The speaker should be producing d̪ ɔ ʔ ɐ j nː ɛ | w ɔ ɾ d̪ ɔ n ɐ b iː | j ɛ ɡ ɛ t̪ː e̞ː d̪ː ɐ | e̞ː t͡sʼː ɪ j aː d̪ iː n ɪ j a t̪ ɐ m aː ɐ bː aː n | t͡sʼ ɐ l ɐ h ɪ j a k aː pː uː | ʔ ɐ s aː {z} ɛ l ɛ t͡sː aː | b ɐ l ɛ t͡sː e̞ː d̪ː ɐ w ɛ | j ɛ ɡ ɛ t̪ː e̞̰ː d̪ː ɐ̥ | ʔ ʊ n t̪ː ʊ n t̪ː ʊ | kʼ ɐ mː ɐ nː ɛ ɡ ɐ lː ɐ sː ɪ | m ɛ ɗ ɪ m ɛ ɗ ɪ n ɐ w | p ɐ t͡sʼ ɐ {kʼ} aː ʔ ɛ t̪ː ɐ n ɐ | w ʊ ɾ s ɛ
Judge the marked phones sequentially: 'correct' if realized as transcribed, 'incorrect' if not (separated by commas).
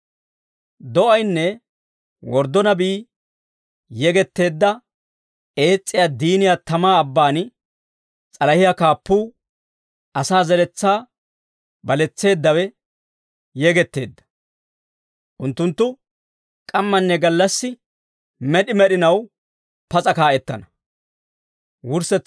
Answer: correct, incorrect